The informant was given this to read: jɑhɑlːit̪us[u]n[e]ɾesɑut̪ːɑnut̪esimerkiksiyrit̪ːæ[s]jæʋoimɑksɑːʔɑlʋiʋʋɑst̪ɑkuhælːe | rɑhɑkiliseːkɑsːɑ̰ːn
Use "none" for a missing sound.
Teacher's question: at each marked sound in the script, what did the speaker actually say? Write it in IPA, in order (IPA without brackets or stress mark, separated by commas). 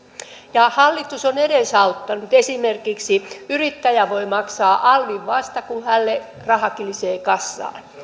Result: o, e, none